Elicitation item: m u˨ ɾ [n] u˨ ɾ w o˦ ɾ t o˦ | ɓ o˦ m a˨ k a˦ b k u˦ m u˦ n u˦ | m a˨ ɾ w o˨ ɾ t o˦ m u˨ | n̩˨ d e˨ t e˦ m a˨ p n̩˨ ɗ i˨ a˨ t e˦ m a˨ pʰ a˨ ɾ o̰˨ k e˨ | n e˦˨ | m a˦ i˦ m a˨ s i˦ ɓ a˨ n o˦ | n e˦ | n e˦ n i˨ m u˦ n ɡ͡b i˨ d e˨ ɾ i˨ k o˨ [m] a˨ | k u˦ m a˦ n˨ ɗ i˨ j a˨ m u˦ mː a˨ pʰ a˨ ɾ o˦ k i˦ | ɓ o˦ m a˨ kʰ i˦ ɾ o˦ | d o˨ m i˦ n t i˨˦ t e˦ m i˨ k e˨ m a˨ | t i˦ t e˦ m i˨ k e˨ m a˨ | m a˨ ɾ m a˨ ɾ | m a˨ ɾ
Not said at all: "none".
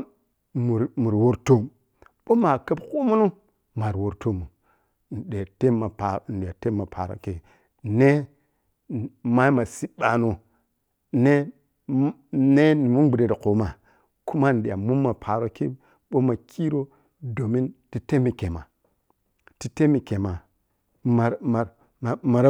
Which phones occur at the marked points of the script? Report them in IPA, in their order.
m, m

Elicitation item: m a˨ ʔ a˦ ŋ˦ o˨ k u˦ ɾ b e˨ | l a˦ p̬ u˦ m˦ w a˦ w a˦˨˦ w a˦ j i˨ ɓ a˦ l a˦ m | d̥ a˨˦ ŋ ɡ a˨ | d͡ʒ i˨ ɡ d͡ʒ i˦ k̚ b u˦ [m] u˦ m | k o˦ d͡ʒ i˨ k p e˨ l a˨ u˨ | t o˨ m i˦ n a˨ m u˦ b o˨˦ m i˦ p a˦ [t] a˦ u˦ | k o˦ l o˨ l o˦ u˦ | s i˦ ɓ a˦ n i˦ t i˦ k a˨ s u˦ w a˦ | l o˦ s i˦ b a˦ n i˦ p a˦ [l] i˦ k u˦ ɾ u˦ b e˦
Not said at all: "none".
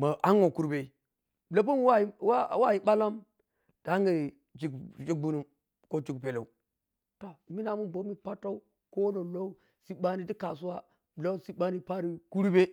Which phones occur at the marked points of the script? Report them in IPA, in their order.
n, t, ɾ

